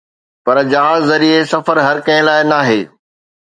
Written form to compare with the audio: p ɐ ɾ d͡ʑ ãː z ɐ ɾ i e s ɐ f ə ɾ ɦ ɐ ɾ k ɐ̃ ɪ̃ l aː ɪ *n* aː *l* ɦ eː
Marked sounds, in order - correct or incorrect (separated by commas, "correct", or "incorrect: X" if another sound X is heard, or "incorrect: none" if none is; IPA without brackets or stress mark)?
correct, incorrect: none